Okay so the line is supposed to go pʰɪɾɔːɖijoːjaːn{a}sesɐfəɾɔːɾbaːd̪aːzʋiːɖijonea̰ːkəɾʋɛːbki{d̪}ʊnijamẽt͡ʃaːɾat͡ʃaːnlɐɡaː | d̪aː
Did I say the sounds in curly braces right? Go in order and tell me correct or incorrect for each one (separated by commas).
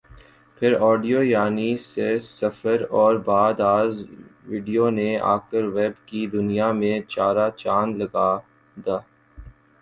incorrect, correct